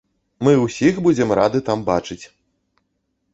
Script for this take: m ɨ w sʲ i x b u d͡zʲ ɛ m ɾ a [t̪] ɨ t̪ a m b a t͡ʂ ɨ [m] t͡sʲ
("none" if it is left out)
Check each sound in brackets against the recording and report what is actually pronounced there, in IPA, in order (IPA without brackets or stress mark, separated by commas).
d̪, none